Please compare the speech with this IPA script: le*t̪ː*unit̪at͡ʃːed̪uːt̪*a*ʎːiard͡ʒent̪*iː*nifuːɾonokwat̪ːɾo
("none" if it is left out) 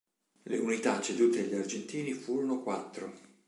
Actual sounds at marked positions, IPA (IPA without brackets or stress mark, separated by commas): none, e, iː